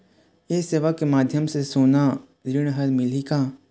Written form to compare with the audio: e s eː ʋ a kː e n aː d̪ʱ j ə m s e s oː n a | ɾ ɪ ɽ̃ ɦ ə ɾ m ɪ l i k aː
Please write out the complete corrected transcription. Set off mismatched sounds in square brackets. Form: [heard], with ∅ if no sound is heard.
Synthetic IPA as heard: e s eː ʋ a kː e [m] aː d̪ʱ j ə m s e s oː n a | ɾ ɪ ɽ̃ ɦ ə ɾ m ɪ l i k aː